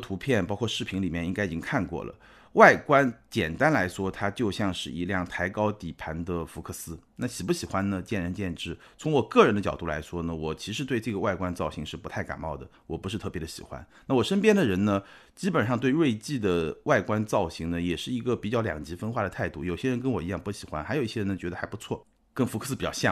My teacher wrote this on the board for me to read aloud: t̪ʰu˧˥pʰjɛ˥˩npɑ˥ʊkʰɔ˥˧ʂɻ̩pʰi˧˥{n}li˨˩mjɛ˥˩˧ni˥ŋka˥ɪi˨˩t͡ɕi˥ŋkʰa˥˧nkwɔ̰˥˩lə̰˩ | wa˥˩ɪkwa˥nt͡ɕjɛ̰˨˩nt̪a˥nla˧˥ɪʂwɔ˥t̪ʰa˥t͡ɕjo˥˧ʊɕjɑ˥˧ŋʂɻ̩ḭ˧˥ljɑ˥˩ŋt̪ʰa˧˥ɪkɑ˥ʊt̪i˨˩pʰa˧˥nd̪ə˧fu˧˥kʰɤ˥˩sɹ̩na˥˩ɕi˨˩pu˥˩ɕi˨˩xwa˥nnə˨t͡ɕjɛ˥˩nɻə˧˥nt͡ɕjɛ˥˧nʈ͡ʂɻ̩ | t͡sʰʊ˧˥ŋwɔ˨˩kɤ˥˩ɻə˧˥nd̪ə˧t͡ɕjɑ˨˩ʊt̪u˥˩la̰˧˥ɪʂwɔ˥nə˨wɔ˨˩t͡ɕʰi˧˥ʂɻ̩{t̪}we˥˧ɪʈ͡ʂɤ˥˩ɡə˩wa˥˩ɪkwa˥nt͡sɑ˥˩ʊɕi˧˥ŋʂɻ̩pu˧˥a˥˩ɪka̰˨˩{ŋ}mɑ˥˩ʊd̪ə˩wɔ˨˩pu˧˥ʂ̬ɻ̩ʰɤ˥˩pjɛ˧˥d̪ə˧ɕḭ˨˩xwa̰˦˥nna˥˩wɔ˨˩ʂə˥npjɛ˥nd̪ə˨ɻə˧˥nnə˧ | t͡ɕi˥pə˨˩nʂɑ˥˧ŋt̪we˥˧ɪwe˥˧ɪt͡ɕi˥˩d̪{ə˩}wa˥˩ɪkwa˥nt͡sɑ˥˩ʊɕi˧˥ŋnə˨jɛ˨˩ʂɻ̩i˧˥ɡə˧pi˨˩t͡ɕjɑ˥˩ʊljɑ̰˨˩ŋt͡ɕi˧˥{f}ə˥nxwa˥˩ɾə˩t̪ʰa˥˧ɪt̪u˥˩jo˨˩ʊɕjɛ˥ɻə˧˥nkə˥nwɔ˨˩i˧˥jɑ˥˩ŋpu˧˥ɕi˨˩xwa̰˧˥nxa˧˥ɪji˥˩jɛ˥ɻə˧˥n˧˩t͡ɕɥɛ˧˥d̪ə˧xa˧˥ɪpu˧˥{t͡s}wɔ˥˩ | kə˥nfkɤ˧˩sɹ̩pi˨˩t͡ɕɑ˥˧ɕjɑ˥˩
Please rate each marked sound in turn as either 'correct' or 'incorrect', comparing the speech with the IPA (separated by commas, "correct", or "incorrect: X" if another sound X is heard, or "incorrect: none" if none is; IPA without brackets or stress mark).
incorrect: ŋ, correct, incorrect: n, correct, correct, incorrect: t͡sʰ